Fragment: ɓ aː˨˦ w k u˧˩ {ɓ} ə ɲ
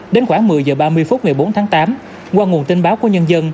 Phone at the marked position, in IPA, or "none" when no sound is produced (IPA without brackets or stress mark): none